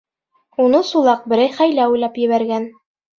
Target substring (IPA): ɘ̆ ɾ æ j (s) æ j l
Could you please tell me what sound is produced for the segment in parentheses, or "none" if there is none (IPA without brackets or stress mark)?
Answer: χ